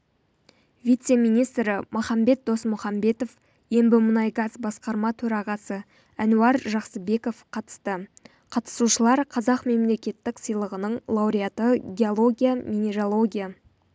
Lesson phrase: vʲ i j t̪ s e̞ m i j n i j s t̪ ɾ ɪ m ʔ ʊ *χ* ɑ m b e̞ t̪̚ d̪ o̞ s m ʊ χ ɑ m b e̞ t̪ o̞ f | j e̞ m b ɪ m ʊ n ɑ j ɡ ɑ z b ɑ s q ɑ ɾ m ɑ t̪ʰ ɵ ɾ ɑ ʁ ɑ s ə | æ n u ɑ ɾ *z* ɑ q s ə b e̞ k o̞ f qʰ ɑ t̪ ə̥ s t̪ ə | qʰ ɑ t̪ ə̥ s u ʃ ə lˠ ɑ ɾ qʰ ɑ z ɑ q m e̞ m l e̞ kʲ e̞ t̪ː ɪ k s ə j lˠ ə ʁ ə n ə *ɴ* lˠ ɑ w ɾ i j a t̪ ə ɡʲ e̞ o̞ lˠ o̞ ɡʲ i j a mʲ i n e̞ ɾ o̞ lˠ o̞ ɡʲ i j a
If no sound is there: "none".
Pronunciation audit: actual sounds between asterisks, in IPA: χ, ʒ, ɴ

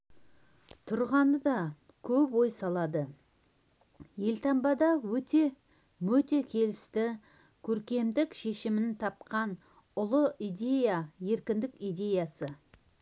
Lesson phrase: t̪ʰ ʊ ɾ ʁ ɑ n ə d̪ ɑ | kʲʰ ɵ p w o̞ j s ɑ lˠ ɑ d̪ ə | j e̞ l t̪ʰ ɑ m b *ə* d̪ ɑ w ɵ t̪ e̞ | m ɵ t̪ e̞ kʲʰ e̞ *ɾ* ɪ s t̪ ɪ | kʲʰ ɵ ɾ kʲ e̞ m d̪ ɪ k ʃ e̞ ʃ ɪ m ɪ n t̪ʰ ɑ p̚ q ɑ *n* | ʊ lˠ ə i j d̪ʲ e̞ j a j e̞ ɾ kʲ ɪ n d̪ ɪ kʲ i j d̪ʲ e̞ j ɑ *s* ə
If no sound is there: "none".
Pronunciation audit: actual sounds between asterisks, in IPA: ɑ, l, n, s

